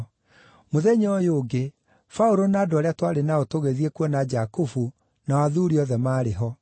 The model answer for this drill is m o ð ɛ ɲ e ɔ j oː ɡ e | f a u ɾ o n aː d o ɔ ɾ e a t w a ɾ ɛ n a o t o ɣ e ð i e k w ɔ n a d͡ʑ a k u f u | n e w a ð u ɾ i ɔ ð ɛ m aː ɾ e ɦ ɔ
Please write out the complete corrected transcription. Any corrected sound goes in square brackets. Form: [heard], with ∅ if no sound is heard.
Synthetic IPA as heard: m o ð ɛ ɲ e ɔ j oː ɡ e | f a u ɾ o n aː d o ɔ ɾ e a t w a ɾ [e] n a o t o ɣ e ð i e k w ɔ n a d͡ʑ a k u f u | n [a] w a ð u ɾ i ɔ ð ɛ m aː ɾ e ɦ ɔ